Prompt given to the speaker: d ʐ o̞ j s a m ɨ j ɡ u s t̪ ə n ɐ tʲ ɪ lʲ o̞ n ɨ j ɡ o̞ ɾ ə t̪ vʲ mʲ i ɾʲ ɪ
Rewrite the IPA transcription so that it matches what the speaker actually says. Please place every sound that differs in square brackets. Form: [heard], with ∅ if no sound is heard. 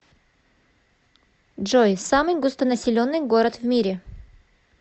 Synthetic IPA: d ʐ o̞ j s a m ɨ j ɡ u s t̪ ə n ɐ [sʲ] ɪ lʲ o̞ [nː] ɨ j ɡ o̞ ɾ ə t̪ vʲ mʲ i ɾʲ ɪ